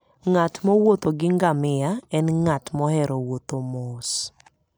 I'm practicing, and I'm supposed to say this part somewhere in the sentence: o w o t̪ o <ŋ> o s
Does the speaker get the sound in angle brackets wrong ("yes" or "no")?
yes